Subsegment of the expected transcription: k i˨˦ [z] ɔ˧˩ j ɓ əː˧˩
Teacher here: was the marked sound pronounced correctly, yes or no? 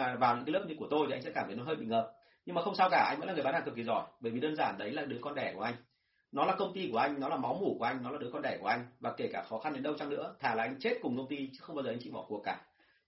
yes